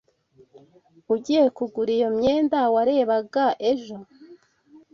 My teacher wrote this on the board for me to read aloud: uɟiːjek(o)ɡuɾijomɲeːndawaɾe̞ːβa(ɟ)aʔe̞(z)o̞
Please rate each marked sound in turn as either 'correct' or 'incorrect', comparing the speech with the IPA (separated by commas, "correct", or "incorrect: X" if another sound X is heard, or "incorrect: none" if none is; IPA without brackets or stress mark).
incorrect: u, incorrect: ɡ, incorrect: ʒ